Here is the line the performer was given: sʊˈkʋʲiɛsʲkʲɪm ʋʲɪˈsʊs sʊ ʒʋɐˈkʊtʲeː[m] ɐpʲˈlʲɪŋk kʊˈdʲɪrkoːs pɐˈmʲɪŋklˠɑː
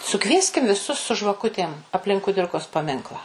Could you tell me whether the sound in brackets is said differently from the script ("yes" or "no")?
no